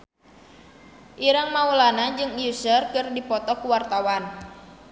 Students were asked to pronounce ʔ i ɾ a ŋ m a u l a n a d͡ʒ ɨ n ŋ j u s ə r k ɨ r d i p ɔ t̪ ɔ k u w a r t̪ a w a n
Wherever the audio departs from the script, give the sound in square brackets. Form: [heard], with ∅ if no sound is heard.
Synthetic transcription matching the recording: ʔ i ɾ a ŋ m a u l a n a d͡ʒ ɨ [∅] ŋ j u s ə r k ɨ r d i p ɔ t̪ ɔ k u w a r t̪ a w a n

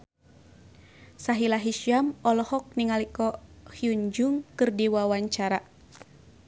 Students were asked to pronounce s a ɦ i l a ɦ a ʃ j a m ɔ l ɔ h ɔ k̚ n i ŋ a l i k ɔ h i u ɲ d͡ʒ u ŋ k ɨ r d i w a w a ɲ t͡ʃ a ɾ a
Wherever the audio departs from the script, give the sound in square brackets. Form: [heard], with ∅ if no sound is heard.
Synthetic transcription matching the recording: s a ɦ i l a ɦ [i] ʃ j a m ɔ l ɔ h ɔ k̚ n i ŋ a l i k ɔ h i u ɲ d͡ʒ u ŋ k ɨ r d i w a w a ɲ t͡ʃ a ɾ a

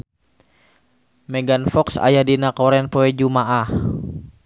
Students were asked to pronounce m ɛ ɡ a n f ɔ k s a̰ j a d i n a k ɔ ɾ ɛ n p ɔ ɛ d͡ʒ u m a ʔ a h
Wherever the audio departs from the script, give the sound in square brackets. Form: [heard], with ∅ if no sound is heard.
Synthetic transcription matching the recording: m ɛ ɡ a n f ɔ k s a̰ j a d i n a k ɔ ɾ ɛ n p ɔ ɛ d͡ʒ u m a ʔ a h

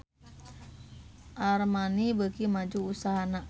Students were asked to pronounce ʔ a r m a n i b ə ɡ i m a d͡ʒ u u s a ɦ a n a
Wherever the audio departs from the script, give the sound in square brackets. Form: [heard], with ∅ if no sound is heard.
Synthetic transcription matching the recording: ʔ a r m a n i b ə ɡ i m a d͡ʒ u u s a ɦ a n a

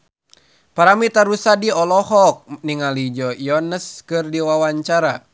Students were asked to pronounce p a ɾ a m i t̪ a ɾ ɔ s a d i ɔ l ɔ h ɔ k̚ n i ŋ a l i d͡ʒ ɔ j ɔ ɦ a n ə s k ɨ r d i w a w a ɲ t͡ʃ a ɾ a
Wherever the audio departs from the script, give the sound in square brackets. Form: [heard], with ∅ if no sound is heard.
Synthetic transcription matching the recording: p a ɾ a m i t̪ a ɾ [u] s a d i ɔ l ɔ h ɔ k̚ n i ŋ a l i d͡ʒ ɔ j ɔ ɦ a n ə s k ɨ r d i w a w a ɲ t͡ʃ a ɾ a

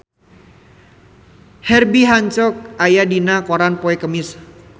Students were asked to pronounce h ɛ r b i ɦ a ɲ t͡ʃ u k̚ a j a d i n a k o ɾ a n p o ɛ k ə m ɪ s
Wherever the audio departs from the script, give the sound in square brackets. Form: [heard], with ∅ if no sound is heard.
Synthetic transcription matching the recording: h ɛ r b i ɦ a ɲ t͡ʃ [ɔ] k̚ a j a d i n a k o ɾ a n p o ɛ k ə m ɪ s

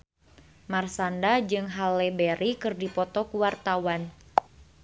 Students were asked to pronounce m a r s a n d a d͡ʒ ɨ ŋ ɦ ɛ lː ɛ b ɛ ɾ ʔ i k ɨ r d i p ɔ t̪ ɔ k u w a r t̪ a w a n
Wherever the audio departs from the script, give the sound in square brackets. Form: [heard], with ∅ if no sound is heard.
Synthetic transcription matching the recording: m a r s a n d a d͡ʒ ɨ ŋ ɦ [a] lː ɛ b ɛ ɾ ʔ i k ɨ r d i p ɔ t̪ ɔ k u w a r t̪ a w a n

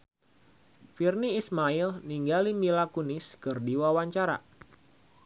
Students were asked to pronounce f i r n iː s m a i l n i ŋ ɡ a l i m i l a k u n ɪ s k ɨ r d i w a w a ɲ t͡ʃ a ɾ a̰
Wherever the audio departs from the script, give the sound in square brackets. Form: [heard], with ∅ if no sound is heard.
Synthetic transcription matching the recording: f i r n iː s m a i l n i ŋ ɡ a l i m i l a k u n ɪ s k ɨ r d i w a w a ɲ t͡ʃ a ɾ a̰

